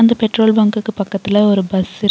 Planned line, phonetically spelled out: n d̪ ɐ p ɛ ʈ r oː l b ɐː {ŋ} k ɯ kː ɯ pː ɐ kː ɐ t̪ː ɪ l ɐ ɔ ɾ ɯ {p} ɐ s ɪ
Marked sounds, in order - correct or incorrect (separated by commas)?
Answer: correct, incorrect